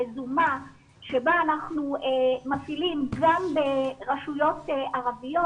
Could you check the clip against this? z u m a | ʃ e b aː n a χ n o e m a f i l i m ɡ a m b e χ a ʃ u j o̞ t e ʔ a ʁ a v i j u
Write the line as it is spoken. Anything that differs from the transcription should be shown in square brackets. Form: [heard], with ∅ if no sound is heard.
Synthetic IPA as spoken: z u m a | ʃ e b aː n a χ n [u] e m a f i l i m ɡ a m b e [ʁ] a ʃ u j o̞ t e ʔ a ʁ a v i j [o]